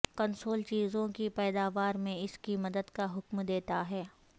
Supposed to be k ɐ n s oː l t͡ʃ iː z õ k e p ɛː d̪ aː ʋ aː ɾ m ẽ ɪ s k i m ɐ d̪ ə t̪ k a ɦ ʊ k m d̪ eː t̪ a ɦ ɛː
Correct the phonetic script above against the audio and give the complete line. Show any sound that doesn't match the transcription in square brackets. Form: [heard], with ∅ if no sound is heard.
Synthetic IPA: k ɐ n s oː l t͡ʃ iː z õ k [i] p ɛː d̪ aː ʋ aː ɾ m ẽ ɪ s k i m ɐ d̪ ə [d̪] k a ɦ ʊ k m d̪ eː t̪ a ɦ ɛː